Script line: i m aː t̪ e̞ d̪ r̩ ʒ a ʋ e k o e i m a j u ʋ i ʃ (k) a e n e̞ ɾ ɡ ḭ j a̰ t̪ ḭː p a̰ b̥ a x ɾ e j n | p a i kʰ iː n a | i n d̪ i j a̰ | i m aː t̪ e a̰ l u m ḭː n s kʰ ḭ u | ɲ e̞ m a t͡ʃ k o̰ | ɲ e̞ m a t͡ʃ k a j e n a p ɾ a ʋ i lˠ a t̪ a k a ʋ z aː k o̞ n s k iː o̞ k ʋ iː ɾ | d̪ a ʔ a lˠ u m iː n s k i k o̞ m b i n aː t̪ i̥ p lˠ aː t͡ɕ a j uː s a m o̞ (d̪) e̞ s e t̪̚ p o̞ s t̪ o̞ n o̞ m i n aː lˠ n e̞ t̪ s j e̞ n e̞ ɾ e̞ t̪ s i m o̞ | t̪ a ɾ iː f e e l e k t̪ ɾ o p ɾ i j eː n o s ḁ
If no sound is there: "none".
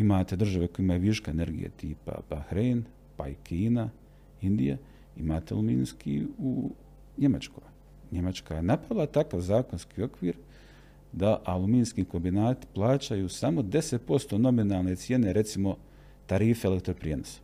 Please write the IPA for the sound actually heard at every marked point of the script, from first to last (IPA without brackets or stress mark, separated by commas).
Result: k, d̪